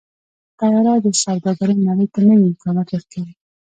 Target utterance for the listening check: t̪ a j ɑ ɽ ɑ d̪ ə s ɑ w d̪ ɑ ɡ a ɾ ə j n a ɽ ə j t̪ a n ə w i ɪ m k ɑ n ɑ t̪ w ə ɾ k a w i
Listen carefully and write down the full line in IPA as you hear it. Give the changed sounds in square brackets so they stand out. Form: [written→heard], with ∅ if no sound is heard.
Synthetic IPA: t̪ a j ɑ [ɽ→ɾ] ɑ d̪ ə s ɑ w d̪ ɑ ɡ a ɾ ə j n a ɽ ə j t̪ a n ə w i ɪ m k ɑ n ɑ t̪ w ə ɾ k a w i